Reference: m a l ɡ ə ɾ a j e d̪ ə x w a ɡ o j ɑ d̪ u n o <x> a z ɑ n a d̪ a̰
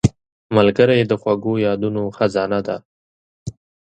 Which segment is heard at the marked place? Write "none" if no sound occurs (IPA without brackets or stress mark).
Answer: x